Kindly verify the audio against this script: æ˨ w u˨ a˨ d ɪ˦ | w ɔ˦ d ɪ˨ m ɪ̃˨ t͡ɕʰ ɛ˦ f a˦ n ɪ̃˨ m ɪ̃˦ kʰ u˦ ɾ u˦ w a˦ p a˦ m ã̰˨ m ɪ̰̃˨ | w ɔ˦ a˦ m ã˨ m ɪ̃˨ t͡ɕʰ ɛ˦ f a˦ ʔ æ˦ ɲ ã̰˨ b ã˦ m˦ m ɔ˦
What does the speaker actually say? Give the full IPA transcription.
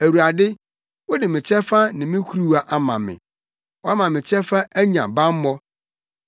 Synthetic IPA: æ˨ w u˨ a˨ d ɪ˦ | w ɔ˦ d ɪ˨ m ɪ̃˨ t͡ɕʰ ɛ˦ f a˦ n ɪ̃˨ m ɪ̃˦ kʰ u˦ ɾ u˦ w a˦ ʔ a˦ m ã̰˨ m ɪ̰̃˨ | w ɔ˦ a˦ m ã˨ m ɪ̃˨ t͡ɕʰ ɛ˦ f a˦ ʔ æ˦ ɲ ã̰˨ b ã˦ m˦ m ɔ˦